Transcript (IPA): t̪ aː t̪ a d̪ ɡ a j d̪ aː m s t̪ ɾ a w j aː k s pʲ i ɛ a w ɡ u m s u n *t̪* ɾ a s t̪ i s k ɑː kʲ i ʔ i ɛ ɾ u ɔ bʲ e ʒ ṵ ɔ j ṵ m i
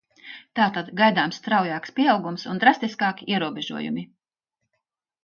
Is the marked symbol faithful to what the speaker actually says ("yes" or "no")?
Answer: no